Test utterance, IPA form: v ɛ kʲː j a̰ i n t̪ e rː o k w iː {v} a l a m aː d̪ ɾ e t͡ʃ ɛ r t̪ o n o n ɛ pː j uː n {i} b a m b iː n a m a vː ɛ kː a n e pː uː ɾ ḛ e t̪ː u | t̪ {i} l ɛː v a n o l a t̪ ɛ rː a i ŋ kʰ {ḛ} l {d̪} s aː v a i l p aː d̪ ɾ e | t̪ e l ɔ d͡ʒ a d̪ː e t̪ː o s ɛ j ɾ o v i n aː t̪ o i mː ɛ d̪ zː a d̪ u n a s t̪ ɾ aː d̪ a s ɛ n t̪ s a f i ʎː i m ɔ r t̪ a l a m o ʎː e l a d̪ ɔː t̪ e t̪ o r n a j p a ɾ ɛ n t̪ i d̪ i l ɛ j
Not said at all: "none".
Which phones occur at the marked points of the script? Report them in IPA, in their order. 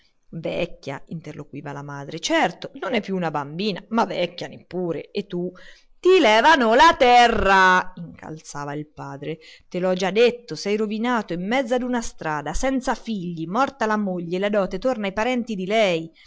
v, a, i, a̰, t̪

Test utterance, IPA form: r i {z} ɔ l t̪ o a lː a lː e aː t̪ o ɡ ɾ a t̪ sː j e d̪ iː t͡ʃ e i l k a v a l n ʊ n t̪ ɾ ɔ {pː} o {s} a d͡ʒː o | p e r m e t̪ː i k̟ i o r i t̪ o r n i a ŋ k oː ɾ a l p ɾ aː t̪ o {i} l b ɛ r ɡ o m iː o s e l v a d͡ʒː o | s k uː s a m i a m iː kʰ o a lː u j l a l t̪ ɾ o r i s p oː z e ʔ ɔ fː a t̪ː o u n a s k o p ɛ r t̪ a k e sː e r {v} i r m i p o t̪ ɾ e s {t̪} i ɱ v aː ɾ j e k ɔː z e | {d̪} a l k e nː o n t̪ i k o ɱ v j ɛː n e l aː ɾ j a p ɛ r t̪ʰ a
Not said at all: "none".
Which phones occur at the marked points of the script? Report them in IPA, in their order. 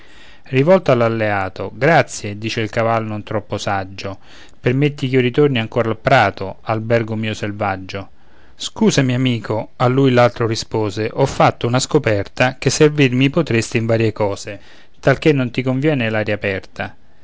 v, pː, s, a, v, t̪, t̪

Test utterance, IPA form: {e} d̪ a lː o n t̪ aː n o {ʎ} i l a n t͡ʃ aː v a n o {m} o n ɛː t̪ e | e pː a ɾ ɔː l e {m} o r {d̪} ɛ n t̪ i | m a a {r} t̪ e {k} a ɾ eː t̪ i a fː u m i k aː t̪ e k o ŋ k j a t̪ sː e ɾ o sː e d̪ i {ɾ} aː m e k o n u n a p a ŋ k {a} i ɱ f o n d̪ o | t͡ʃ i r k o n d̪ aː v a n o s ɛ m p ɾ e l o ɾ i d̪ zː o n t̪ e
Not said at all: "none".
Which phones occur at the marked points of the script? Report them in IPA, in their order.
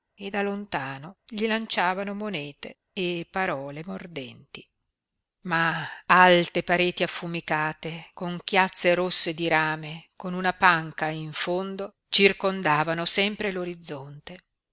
e, ʎ, m, m, d̪, l, p, ɾ, a

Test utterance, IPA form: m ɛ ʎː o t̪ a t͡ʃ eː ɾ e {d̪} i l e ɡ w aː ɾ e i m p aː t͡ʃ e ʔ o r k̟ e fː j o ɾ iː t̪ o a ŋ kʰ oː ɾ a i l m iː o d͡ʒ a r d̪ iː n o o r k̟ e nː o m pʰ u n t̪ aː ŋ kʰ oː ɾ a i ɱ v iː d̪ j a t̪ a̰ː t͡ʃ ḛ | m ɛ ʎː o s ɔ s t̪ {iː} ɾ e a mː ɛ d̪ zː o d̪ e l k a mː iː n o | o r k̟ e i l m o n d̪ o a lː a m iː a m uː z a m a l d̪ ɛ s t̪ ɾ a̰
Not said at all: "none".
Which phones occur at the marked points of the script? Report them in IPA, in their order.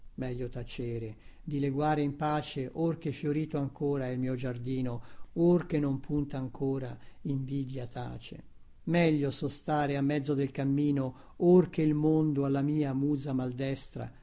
d̪, aː

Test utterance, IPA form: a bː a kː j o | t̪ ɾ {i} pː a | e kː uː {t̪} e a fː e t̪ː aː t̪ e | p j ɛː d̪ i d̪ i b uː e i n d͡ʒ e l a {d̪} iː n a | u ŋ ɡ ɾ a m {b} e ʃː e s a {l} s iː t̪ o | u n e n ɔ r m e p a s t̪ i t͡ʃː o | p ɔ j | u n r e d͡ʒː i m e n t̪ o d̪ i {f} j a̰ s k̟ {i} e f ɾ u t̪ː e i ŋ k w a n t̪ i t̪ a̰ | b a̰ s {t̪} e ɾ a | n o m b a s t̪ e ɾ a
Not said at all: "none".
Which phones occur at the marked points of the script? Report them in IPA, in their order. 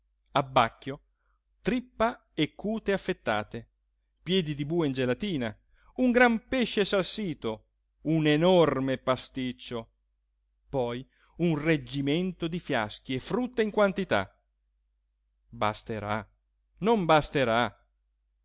i, t̪, t̪, p, l, f, i, t̪

